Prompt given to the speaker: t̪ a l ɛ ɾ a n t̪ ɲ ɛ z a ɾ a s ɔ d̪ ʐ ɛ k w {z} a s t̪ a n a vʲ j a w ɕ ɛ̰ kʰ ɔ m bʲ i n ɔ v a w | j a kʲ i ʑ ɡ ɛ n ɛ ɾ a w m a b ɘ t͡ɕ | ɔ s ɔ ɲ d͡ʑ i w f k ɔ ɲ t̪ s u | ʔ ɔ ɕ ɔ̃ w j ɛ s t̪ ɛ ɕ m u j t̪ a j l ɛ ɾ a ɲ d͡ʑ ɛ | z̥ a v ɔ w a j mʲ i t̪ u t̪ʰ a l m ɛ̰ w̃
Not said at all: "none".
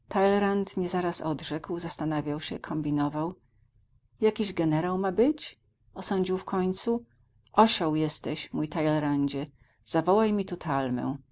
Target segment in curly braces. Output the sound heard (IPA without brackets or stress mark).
z